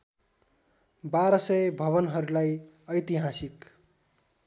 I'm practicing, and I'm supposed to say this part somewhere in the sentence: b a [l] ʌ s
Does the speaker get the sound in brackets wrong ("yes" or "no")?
yes